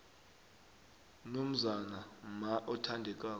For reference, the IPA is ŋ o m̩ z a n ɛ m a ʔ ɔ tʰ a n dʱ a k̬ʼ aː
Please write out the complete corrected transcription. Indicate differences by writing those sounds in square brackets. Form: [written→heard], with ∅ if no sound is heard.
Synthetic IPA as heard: [ŋ→n] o m̩ z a n [ɛ→a] m a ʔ ɔ tʰ a n dʱ [a→ɛ] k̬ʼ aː

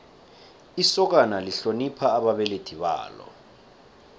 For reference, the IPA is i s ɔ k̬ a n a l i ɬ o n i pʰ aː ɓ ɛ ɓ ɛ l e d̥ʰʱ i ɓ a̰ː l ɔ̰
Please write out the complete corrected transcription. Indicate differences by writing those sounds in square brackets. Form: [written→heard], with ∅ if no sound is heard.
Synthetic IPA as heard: i s ɔ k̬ a n a l i ɬ o n i pʰ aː ɓ [ɛ→a] ɓ ɛ l e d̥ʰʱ i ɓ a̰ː l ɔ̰

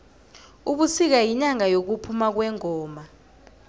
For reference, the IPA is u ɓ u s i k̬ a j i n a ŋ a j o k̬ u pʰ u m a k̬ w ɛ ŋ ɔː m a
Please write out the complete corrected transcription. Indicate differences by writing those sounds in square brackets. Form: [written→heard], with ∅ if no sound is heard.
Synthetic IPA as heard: u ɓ u s i k̬ a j i [n→ɲ] a ŋ a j o k̬ u pʰ u m a k̬ w ɛ ŋ ɔː m a

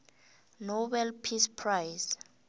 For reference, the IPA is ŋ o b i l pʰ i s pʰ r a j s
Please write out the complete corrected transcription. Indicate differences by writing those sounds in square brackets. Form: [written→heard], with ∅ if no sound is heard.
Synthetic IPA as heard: [ŋ→n] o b [i→ɛ] l pʰ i s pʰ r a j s

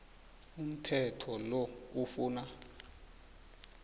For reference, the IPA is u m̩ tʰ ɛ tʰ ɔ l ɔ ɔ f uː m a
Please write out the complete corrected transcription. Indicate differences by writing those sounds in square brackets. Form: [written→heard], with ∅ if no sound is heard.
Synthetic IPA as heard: u m̩ tʰ ɛ tʰ ɔ l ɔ [ɔ→u] f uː [m→n] a

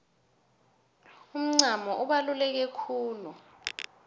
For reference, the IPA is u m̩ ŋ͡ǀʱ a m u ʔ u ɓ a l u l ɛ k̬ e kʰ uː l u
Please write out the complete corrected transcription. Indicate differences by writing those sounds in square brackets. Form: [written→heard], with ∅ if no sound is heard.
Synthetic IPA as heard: u m̩ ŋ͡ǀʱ a m [u→ɔ] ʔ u ɓ a l u l ɛ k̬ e kʰ uː l u

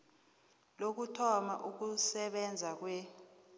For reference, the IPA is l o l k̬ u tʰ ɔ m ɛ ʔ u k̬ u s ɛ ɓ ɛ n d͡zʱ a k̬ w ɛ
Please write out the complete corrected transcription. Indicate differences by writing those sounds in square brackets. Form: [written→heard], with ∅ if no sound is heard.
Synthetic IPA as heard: l o [l→∅] k̬ u tʰ ɔ m [ɛ→a] ʔ u k̬ u s ɛ ɓ ɛ n d͡zʱ a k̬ w ɛ

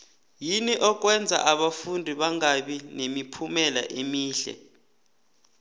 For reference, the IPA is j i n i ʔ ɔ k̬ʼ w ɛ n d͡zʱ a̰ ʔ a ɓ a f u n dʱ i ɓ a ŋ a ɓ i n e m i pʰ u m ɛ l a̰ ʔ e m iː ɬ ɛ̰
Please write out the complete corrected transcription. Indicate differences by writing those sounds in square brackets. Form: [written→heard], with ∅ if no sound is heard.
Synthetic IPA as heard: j i n i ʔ ɔ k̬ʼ w ɛ n d͡zʱ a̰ ʔ a ɓ a f u n dʱ i ɓ a ŋ a ɓ i n e m i pʰ u m ɛ l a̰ ʔ e m iː ɬ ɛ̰

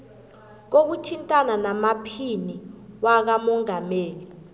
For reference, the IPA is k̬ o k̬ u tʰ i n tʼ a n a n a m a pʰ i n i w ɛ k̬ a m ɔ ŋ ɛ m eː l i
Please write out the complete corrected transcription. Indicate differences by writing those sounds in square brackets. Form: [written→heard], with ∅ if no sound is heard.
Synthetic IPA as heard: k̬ o k̬ u tʰ i n tʼ a n a n a m a pʰ i n i w [ɛ→a] k̬ a m ɔ ŋ [ɛ→a] m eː l i

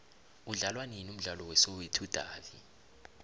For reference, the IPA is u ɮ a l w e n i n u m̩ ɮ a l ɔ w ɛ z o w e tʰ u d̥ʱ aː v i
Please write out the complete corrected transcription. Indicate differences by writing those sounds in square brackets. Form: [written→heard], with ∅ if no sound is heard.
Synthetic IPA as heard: u ɮ a l w [e→a] n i n u m̩ ɮ a l ɔ w ɛ [z→s] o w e tʰ u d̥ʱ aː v i

